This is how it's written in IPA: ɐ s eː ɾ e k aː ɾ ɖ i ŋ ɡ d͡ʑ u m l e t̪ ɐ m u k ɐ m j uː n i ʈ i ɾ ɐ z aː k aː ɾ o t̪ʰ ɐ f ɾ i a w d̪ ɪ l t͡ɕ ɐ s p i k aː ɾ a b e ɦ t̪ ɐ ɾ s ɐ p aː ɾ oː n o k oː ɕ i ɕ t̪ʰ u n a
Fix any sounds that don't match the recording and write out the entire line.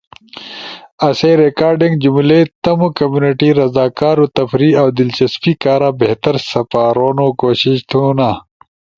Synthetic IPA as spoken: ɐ s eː ɾ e k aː ɾ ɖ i ŋ ɡ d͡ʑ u m l e t̪ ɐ m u k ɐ m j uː n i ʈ i ɾ ɐ z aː k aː ɾ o t̪ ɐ f ɾ i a w d̪ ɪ l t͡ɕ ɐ s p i k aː ɾ a b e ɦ t̪ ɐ ɾ s ɐ p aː ɾ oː n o k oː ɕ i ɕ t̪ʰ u n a

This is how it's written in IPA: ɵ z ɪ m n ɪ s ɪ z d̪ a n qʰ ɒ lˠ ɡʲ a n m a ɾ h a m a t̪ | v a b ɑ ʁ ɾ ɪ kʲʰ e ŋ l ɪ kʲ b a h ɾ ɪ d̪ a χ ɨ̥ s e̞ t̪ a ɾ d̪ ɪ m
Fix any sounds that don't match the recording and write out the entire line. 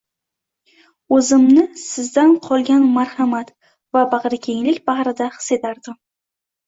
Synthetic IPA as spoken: ɵ z ɪ m n ɪ s ɪ z d̪ a n qʰ ɒ lˠ ɡʲ a n m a ɾ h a m a t̪ | v a b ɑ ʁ ɾ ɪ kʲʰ e ŋ l ɪ kʲ b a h ɾ ɪ d̪ a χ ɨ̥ s e̞ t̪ a ɾ d̪ ɪ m

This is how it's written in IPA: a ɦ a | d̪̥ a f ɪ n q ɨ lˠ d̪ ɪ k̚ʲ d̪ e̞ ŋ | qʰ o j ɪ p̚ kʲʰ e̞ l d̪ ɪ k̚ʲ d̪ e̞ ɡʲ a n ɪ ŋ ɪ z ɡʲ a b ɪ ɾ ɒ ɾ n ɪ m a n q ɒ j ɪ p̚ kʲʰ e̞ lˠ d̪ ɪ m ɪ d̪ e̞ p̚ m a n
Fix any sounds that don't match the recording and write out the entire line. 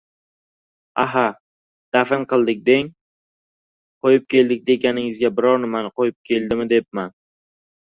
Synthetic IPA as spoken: a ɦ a | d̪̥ a f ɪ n q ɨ lˠ d̪ ɪ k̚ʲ d̪ e̞ ŋ | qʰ o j ɪ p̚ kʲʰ e̞ l d̪ ɪ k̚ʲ d̪ e̞ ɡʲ a n ɪ ŋ ɪ z ɡʲ a b ɪ ɾ ɒ ɾ n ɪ m a n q o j ɪ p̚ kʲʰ e̞ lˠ d̪ ɪ m ɪ d̪ e̞ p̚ m a n

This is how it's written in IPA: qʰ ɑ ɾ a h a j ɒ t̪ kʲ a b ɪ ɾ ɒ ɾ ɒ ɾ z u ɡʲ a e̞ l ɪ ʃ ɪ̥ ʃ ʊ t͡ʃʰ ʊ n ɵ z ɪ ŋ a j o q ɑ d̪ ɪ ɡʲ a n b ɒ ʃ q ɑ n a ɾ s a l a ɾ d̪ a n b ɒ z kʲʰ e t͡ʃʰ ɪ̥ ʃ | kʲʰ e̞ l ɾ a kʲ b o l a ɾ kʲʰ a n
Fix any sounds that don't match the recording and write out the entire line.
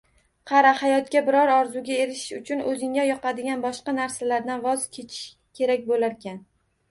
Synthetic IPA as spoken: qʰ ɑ ɾ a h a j ɒ t̪ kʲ a b ɪ ɾ ɒ ɾ ɒ ɾ z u ɡʲ a e̞ ɾ ɪ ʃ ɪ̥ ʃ ʊ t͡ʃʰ ʊ n ɵ z ɪ ŋ a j ɒ q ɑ d̪ ɪ ɡʲ a n b ɒ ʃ q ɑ n a ɾ s a l a ɾ d̪ a n v ɒ z kʲʰ e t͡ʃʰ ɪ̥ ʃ | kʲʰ e̞ ɾ a kʲ b o l a ɾ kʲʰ a n

